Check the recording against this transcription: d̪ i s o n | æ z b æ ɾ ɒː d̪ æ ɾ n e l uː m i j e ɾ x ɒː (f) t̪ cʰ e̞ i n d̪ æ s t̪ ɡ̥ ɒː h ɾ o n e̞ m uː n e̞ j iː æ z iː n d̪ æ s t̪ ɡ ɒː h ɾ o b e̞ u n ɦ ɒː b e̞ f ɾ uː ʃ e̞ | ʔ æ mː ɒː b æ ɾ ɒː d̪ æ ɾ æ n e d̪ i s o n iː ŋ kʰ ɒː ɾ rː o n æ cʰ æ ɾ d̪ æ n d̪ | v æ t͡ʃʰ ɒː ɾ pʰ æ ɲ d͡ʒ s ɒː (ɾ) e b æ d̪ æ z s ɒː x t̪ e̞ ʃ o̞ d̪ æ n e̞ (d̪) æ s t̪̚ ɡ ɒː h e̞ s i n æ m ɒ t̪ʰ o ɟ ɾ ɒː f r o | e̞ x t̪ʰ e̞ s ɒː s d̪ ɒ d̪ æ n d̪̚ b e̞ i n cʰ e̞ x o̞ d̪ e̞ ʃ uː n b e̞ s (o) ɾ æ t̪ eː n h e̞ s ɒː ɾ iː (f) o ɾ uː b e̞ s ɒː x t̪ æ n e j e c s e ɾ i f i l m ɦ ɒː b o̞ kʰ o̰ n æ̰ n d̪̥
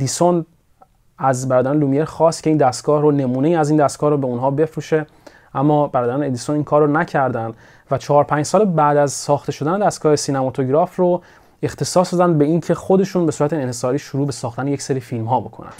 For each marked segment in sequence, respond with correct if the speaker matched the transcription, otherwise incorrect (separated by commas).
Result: incorrect, incorrect, correct, incorrect, incorrect